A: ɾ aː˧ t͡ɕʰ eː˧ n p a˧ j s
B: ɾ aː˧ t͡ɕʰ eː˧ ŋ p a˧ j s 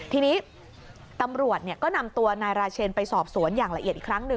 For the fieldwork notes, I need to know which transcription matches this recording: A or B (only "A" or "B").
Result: A